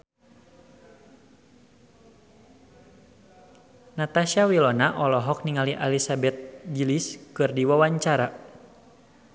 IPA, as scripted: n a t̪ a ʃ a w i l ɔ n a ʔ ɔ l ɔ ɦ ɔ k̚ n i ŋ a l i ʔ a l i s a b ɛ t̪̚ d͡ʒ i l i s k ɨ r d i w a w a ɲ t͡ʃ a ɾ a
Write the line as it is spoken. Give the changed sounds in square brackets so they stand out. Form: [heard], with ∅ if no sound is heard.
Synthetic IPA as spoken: n a t̪ a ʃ a w i l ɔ n a ʔ ɔ l ɔ ɦ ɔ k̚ n i ŋ a l i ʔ a l i s a b ɛ t̪̚ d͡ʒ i l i s k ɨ r d i w a w a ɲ t͡ʃ a ɾ a

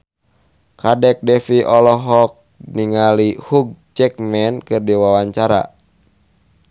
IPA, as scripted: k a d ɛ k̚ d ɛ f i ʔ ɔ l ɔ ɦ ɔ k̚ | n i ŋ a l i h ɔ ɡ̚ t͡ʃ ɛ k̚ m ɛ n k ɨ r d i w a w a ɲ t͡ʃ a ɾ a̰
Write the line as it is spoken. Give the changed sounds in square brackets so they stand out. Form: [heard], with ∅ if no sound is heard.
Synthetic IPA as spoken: k a d ɛ k̚ d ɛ f i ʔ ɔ l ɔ ɦ ɔ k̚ | n i ŋ a l i h [u] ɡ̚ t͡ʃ ɛ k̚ m ɛ n k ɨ r d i w a w a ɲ t͡ʃ a ɾ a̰

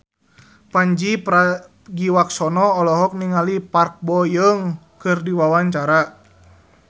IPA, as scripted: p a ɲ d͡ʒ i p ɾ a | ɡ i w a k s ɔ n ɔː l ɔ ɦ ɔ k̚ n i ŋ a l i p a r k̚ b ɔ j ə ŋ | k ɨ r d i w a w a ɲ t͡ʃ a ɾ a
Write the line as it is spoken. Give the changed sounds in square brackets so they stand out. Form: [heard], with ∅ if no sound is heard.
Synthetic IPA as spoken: p a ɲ d͡ʒ i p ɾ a | ɡ i w a k s ɔ n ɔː l ɔ ɦ ɔ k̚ n i ŋ a l i p a r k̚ b ɔ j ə ŋ | k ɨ r d i w a w a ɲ t͡ʃ a ɾ a

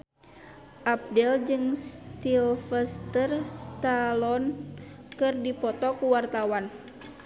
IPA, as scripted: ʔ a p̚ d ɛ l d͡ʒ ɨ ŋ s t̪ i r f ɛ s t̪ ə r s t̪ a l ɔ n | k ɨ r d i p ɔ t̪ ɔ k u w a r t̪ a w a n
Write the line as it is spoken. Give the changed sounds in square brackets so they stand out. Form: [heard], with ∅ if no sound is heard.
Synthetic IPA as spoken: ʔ a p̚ d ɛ l d͡ʒ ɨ ŋ s t̪ i [l] f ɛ s t̪ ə r s t̪ a l ɔ n | k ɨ r d i p ɔ t̪ ɔ k u w a r t̪ a w a n

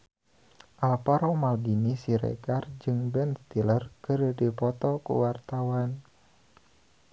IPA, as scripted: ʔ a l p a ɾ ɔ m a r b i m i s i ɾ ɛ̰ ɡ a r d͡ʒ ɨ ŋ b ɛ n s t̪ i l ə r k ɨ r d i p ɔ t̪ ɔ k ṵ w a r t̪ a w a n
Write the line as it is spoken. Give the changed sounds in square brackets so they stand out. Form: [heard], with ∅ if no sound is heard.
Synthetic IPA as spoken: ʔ a l p a ɾ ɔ m a [l] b i [n] i s i ɾ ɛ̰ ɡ a r d͡ʒ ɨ ŋ b ɛ n s t̪ i l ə r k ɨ r d i p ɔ t̪ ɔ k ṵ w a r t̪ a w a n

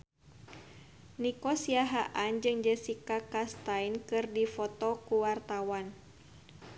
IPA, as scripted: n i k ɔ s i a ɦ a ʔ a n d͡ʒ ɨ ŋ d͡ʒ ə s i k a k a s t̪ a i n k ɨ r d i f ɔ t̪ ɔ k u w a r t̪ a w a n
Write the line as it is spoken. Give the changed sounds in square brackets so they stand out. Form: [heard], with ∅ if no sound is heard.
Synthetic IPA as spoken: n i k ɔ s i a ɦ a ʔ a n d͡ʒ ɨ ŋ d͡ʒ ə s i k a k a s t̪ a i n k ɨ r d i f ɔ t̪ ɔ k u w a r t̪ a w a n

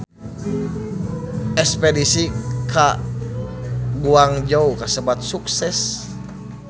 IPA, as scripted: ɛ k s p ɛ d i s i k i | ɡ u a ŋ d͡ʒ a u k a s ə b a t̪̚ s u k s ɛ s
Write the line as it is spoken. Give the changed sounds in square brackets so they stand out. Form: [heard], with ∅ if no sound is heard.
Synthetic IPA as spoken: ɛ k s p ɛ d i s i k [a] | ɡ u a ŋ d͡ʒ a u k a s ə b a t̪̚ s u k s ɛ s

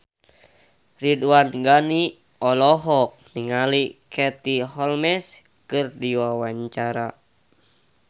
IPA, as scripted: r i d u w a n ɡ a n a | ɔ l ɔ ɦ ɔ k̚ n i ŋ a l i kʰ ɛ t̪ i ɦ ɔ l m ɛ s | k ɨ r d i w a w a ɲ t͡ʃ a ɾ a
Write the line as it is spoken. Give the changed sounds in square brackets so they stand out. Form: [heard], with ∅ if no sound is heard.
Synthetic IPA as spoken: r i d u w a n ɡ a n [i] | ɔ l ɔ ɦ ɔ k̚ n i ŋ a l i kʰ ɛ t̪ i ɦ ɔ l m ɛ s | k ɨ r d i w a w a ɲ t͡ʃ a ɾ a

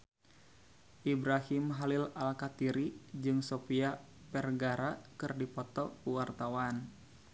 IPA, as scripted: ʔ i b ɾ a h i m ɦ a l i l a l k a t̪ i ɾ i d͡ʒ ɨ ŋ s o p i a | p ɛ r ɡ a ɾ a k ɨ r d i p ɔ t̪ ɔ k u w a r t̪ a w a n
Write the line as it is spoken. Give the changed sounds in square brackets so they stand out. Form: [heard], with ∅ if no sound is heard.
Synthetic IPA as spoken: ʔ i b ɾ a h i m ɦ a l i l a l k a t̪ i ɾ i d͡ʒ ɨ ŋ s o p i a | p ɛ r ɡ a ɾ a k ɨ r d i p ɔ t̪ ɔ k u w a r t̪ a w a n

